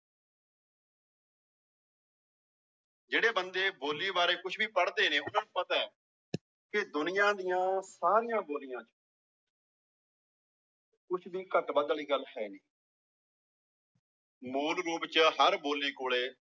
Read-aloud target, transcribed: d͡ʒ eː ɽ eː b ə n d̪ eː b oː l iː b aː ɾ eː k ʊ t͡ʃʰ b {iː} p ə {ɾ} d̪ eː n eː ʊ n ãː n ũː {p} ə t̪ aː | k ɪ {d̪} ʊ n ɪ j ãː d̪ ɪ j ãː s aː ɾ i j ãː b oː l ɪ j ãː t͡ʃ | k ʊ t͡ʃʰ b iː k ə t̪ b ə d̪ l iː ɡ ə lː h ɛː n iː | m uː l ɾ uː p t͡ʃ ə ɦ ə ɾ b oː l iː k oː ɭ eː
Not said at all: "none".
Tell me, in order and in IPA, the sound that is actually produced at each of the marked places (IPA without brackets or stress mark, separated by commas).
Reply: iː, ɽ, p, d̪